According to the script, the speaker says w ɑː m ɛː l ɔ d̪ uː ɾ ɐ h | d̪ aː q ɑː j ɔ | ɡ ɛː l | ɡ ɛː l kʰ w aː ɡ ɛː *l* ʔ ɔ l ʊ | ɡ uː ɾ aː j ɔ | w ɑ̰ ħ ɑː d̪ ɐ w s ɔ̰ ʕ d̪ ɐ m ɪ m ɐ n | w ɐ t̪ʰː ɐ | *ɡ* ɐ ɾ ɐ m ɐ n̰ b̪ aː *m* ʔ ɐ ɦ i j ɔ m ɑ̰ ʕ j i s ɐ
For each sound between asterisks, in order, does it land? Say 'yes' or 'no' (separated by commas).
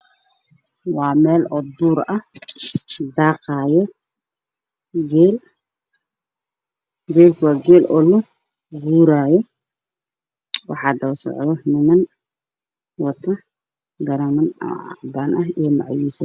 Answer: yes, yes, no